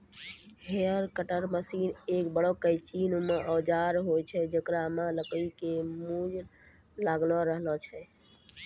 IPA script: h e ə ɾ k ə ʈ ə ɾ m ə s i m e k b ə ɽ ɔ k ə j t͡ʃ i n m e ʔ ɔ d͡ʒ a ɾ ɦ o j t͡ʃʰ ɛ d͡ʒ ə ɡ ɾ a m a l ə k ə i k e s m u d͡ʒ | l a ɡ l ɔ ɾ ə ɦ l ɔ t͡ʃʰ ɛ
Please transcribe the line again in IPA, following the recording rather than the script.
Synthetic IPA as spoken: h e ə ɾ k ə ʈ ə ɾ m ə s i n e k b ə ɽ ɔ k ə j t͡ʃ i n m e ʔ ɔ d͡ʒ a ɾ ɦ o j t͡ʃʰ ɛ d͡ʒ ə k ɾ a m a l ə k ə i k e m u d͡ʒ | l a ɡ l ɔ ɾ ə ɦ l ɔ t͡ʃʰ ɛ